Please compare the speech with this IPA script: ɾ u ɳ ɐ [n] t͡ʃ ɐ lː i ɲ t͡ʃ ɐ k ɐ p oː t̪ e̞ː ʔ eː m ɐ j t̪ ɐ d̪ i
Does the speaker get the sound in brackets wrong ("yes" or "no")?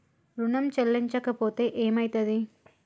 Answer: yes